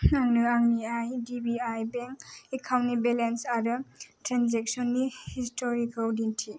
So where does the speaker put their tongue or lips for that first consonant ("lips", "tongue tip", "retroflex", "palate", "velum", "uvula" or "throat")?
velum